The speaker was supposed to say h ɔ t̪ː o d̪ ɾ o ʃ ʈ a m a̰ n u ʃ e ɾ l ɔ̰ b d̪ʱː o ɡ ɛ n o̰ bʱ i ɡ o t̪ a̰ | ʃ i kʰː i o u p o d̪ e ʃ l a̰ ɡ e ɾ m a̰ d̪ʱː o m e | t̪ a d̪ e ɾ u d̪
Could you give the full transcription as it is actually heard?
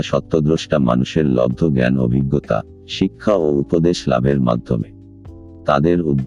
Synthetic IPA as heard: ʃ ɔ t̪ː o d̪ ɾ o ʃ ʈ a m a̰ n u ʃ e ɾ l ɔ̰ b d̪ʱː o ɡ ɛ n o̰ bʱ i ɡː o t̪ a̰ | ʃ i kʰː a o u p o d̪ e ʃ l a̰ b e ɾ m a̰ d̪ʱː o m e | t̪ a d̪ e ɾ u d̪